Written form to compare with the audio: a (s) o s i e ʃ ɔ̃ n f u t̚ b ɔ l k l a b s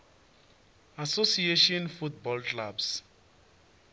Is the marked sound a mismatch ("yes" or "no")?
no